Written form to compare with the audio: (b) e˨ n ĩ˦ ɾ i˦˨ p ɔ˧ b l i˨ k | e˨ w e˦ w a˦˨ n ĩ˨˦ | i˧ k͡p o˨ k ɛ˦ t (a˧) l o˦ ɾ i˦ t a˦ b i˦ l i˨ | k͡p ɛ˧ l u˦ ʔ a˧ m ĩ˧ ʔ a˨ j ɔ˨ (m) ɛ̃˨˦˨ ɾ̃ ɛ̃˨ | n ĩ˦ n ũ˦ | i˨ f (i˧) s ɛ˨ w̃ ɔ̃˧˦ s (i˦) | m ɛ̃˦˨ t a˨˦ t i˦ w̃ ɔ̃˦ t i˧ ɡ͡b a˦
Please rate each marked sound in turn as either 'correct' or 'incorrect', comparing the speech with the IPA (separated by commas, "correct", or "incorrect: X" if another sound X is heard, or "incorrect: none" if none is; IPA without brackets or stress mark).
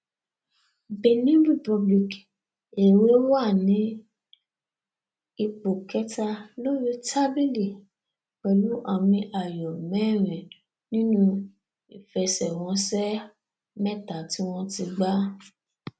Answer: correct, correct, correct, incorrect: ɛ˧, incorrect: ɛ˦